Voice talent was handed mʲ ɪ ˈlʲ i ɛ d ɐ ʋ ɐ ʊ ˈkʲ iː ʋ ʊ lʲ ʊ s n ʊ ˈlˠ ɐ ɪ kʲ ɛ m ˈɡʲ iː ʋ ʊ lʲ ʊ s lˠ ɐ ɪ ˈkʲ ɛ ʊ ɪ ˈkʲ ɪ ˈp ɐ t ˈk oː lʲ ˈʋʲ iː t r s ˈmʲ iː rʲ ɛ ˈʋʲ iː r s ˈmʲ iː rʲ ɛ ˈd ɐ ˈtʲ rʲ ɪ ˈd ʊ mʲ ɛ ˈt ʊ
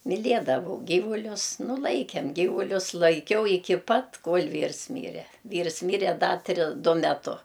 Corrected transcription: mʲ ɪ ˈlʲ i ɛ d ɐ ʋ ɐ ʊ ˈɡʲ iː ʋ ʊ lʲ ʊ s n ʊ ˈlˠ ɐ ɪ kʲ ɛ m ˈɡʲ iː ʋ ʊ lʲ ʊ s lˠ ɐ ɪ ˈkʲ ɛ ʊ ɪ ˈkʲ ɪ ˈp ɐ t ˈk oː lʲ ˈʋʲ iː r s ˈmʲ iː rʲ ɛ ˈʋʲ iː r s ˈmʲ iː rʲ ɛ ˈd ɐ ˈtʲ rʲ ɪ ˈd ʊ mʲ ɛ ˈt ʊ